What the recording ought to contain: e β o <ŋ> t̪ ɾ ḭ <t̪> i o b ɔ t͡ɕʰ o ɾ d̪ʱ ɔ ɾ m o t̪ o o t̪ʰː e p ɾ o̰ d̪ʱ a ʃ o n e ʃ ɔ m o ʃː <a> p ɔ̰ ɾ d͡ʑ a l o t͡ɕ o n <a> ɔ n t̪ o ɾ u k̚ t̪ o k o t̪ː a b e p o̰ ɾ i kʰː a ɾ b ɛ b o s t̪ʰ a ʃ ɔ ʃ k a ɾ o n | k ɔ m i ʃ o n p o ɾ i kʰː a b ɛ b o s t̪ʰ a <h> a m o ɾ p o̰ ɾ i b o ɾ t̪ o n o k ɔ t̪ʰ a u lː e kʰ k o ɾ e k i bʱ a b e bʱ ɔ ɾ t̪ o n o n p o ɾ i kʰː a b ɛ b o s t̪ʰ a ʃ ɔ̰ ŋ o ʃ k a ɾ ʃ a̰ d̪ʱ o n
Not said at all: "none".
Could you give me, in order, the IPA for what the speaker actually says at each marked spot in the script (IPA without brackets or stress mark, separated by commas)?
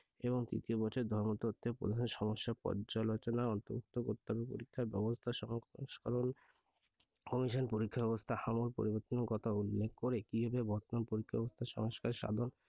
ŋ, t̪, a, a, h